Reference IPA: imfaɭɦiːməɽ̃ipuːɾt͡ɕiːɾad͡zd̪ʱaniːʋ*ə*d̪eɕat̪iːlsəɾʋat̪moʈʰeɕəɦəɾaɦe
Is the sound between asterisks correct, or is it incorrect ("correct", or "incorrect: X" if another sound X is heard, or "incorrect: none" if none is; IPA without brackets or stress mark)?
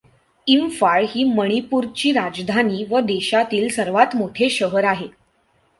correct